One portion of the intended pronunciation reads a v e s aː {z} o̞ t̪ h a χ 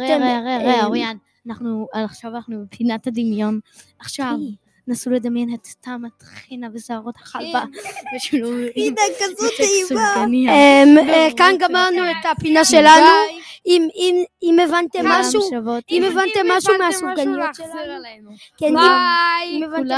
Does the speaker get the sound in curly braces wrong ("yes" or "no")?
yes